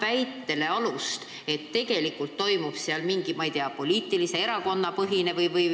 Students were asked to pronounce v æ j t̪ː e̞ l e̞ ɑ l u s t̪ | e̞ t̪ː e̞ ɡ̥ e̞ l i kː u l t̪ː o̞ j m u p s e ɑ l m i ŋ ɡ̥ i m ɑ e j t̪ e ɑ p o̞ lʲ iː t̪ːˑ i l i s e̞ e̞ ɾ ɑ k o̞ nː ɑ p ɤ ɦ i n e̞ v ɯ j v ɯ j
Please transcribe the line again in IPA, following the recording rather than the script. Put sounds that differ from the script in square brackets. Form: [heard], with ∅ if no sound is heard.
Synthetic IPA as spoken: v æ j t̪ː e̞ l e̞ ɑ l u s t̪ | e̞ t̪ː e̞ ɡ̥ e̞ l i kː u l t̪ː o̞ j m u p s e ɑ l m i ŋ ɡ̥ i m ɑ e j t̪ e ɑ p o̞ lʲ iː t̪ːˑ i l i s e̞ e̞ ɾ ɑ k o̞ nː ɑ p ɤ ɦ i n e̞ v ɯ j v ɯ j